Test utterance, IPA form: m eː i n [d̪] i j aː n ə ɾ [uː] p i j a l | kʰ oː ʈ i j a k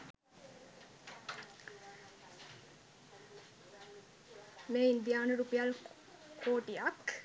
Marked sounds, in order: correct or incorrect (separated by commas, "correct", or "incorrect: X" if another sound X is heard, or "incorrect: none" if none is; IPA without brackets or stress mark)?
correct, incorrect: u